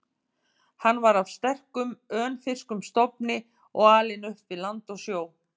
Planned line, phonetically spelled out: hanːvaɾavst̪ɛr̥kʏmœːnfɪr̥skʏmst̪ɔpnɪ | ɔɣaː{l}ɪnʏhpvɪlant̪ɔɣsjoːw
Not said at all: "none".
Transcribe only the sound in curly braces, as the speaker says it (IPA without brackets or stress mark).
l